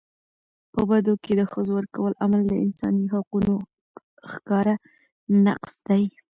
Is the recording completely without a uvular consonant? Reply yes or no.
no